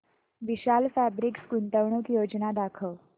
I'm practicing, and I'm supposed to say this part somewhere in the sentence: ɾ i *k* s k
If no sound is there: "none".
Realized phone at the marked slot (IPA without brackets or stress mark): k